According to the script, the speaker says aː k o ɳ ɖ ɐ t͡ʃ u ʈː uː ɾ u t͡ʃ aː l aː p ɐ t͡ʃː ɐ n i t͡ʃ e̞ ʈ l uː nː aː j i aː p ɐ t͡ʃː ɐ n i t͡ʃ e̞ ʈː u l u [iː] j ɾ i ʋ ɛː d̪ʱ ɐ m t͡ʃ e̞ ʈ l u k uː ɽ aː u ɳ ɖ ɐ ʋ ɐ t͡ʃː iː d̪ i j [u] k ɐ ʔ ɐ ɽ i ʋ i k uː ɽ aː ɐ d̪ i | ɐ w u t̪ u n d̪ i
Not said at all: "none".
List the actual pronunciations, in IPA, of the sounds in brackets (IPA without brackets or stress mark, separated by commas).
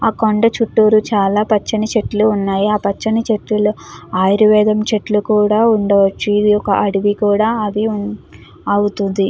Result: aː, ɔ